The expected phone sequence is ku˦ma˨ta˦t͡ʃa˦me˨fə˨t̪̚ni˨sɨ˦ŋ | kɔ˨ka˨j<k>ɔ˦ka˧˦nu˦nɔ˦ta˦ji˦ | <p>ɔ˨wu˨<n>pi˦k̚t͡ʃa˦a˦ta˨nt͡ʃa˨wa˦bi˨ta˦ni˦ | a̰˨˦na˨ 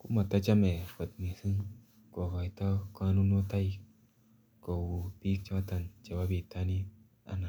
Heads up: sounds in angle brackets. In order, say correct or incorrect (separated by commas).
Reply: incorrect, incorrect, incorrect